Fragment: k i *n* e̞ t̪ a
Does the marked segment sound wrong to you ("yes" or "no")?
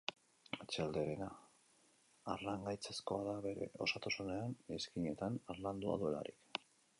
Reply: yes